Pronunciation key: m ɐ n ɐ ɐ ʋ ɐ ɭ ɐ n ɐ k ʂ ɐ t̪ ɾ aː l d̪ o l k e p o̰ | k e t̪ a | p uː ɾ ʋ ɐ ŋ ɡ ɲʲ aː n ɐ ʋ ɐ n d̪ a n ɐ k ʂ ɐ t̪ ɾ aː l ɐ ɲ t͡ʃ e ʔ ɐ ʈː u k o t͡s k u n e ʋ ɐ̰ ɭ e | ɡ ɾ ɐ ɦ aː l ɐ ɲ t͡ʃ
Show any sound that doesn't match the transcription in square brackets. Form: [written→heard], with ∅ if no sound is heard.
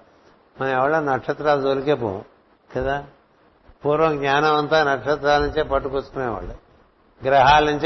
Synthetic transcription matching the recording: m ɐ n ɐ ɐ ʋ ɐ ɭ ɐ n ɐ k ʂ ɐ t̪ ɾ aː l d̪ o l k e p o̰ | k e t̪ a | p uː ɾ ʋ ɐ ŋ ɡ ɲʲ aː n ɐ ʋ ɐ n [d̪→t̪] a n ɐ k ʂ ɐ t̪ ɾ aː l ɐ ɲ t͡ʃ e [ʔ→p] ɐ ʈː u k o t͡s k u n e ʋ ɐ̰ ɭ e | ɡ ɾ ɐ ɦ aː l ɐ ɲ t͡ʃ